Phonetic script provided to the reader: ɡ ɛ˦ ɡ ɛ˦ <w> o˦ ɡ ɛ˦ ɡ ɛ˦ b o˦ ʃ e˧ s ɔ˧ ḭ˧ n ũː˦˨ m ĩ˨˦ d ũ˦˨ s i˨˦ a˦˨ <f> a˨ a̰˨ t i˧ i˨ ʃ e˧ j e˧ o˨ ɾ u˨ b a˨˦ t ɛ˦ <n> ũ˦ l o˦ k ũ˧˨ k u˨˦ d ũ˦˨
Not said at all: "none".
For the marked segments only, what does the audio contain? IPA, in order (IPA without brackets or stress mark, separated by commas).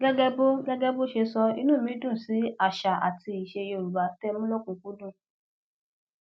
b, ʃ, m